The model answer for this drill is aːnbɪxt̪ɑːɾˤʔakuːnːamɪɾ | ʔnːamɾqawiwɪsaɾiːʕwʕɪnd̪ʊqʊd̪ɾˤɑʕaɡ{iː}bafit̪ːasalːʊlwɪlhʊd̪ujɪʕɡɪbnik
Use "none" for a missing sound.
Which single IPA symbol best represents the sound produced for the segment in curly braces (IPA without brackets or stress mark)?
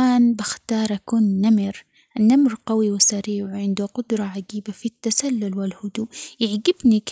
iː